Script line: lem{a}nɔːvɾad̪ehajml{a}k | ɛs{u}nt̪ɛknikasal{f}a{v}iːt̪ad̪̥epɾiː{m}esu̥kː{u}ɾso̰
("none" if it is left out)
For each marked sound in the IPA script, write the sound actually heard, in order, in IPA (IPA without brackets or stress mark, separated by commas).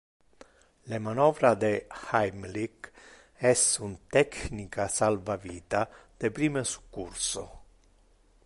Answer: a, i, u, v, v, m, u